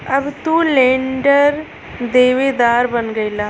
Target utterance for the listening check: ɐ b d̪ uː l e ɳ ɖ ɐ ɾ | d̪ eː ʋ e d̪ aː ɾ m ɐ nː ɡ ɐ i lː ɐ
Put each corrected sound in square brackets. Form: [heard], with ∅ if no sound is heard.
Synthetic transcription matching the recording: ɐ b [t̪] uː l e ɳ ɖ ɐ ɾ | d̪ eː ʋ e d̪ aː ɾ [b] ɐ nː ɡ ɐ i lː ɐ